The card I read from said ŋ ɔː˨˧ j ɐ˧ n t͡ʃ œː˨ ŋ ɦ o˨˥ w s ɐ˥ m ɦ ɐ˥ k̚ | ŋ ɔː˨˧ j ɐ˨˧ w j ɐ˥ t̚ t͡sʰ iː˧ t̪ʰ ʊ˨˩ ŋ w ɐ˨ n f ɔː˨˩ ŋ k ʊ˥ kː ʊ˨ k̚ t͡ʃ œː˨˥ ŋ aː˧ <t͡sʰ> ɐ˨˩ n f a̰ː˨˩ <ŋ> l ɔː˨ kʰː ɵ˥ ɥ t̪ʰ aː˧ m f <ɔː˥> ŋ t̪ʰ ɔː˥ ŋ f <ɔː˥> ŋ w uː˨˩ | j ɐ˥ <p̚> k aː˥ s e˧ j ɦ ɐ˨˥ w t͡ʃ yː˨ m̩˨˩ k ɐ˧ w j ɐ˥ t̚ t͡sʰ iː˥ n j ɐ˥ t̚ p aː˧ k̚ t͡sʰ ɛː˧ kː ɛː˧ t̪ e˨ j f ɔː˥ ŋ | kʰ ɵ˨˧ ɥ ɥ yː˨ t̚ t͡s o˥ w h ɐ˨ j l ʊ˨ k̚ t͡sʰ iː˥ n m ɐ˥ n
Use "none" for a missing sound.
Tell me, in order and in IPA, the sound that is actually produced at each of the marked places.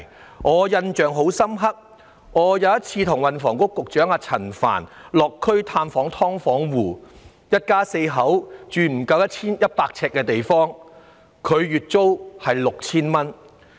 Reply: t͡sʰ, n, ɔː˨˥, ɔː˨˥, t̚

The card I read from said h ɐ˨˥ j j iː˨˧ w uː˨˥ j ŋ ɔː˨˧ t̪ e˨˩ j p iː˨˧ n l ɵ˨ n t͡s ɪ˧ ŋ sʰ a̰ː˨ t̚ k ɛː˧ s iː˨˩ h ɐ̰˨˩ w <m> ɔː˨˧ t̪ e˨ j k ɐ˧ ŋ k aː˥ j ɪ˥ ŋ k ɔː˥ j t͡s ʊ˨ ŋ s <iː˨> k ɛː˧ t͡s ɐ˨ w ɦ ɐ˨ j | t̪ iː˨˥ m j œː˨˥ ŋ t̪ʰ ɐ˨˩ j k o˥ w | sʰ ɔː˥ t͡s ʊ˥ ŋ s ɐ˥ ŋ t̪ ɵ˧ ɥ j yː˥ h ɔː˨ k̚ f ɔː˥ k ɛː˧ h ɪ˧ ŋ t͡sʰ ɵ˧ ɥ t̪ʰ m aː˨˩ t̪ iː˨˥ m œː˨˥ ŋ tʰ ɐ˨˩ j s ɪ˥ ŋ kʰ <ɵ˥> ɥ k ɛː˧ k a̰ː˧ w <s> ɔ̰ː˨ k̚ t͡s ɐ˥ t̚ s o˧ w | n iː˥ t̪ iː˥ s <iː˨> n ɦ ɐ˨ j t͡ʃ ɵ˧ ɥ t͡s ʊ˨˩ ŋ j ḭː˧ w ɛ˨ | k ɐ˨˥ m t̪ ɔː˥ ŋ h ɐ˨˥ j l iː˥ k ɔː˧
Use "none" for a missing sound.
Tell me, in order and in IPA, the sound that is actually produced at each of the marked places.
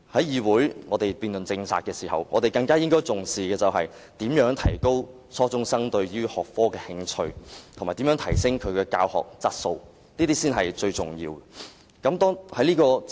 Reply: ŋ, iː˨, ɵ˨˧, h, iː˥

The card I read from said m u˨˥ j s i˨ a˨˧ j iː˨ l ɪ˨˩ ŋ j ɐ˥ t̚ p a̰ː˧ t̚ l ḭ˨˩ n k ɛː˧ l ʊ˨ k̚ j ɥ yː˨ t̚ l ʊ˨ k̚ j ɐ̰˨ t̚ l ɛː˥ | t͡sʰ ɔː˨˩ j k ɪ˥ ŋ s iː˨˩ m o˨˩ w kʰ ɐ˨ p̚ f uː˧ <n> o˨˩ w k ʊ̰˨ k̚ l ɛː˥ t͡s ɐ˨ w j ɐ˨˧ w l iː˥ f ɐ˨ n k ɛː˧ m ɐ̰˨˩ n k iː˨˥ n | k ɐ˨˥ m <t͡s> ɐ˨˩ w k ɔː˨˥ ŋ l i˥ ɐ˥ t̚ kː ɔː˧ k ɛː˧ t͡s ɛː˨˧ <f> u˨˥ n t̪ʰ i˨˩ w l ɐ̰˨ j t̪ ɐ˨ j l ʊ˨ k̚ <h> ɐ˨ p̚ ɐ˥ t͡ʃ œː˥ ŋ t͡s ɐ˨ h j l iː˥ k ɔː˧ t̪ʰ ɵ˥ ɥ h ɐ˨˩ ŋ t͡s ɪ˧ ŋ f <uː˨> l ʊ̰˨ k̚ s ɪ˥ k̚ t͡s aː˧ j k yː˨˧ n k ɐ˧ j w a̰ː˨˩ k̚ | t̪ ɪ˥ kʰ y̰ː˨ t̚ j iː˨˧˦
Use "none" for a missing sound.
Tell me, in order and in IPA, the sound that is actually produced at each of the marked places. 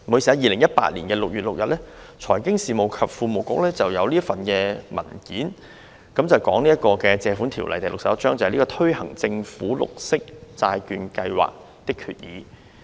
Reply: m, t͡s, f, s, uː˨˥

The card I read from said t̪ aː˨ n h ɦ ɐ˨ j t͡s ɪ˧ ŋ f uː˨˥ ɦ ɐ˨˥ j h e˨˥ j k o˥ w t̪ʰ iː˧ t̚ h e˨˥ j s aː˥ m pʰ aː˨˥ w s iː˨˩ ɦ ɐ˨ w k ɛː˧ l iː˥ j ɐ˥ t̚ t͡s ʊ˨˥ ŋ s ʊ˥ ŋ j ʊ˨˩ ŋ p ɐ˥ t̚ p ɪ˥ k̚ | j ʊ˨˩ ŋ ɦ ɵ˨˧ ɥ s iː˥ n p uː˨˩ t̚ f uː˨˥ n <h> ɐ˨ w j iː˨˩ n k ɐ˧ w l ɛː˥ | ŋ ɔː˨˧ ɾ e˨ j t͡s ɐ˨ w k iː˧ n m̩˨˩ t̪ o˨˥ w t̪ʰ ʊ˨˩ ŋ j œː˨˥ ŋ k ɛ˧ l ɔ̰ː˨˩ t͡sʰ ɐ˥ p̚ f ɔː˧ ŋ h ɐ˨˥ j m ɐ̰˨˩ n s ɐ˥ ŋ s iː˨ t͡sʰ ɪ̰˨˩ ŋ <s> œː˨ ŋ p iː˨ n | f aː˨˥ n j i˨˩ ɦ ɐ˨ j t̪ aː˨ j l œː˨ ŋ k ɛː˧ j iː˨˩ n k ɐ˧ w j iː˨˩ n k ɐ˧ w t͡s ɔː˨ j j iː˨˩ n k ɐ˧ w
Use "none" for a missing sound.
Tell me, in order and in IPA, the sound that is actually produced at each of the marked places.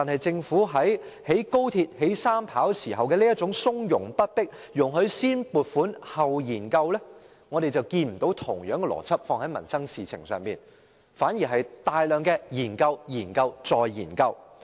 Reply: h, s

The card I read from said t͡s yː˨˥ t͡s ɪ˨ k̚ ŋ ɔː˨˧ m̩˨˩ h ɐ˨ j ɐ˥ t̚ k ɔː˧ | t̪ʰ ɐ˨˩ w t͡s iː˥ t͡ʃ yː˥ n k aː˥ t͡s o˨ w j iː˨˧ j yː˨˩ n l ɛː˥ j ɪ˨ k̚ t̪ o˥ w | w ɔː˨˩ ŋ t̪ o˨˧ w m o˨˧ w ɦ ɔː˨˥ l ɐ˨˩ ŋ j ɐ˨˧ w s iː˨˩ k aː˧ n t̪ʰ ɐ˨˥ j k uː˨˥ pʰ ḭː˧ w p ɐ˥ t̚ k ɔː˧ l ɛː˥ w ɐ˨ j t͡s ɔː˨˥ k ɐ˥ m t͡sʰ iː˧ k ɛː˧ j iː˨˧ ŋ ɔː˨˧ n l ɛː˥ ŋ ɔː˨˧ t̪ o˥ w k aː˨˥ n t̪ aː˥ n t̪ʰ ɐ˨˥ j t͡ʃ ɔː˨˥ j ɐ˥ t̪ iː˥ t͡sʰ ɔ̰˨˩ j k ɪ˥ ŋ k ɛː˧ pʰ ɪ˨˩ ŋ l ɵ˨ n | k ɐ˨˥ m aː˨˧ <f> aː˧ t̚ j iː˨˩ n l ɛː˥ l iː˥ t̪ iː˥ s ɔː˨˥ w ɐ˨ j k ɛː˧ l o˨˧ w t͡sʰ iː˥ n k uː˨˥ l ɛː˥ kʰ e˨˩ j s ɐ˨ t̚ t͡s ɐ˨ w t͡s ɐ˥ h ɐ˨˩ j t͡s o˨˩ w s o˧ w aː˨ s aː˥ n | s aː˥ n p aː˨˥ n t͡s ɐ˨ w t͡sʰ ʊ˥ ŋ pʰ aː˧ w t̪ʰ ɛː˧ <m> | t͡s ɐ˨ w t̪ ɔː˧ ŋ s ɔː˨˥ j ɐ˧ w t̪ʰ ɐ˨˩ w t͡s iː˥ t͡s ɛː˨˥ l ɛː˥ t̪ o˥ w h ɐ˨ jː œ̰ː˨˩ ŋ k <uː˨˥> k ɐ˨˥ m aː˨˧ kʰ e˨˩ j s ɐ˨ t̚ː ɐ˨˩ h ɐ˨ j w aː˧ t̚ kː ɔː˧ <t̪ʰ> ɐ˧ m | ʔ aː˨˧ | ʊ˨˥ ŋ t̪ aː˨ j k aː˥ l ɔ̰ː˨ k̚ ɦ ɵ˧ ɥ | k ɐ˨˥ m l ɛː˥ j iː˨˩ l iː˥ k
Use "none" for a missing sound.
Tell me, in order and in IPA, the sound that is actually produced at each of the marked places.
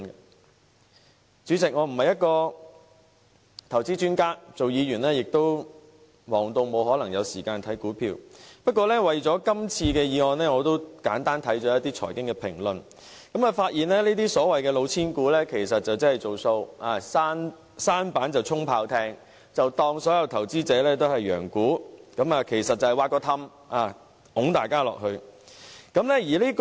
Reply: f, ŋ, uː˨˥, t̪ʰ

